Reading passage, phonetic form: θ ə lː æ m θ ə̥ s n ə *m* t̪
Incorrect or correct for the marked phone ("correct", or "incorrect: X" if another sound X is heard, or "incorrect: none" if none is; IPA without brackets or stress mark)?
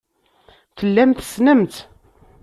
correct